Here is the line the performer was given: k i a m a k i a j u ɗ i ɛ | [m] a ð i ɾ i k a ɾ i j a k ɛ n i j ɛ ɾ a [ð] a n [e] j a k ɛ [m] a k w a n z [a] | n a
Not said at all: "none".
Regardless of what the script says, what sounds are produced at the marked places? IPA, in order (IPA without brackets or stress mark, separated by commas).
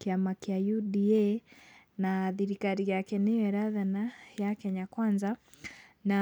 n, ð, a, ɲ, a